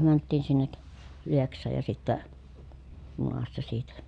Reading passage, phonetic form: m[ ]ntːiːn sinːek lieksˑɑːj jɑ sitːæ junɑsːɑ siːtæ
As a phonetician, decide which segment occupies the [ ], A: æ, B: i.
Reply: A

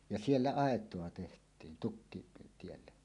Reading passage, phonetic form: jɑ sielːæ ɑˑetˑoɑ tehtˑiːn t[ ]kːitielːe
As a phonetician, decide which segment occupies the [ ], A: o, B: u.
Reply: B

